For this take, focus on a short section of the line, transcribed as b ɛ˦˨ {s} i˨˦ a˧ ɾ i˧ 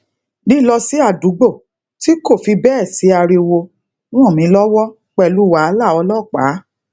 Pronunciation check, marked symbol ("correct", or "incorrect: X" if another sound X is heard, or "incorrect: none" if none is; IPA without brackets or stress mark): correct